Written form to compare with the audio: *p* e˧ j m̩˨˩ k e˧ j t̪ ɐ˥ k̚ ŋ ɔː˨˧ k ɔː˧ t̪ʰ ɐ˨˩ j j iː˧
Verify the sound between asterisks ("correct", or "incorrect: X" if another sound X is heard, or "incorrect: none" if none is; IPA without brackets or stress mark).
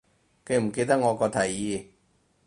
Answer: incorrect: k